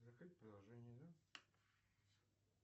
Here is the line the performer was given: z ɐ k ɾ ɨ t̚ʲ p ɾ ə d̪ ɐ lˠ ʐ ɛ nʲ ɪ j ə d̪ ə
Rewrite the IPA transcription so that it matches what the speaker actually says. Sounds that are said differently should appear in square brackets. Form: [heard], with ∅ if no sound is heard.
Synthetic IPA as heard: z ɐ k ɾ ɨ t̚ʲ p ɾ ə d̪ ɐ lˠ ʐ ɛ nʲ ɪ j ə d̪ [a]